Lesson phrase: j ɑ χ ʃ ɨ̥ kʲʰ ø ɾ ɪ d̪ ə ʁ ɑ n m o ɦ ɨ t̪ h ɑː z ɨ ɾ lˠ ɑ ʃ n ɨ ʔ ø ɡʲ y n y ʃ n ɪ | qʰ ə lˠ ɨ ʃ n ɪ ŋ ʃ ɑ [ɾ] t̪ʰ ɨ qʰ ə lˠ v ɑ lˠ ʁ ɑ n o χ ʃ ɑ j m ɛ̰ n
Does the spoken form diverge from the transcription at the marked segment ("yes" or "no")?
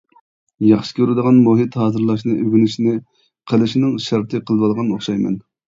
no